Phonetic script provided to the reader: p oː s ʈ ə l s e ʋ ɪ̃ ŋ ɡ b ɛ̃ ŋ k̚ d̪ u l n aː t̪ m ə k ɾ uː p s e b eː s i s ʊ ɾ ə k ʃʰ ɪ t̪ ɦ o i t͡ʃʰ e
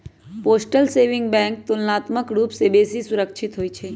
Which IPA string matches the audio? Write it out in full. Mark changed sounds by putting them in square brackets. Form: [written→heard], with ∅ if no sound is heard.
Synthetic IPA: p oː s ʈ ə l s e ʋ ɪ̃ ŋ ɡ b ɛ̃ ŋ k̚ [d̪→t̪] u l n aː t̪ m ə k ɾ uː p s e b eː s i s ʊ ɾ ə k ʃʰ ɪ t̪ ɦ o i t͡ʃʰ e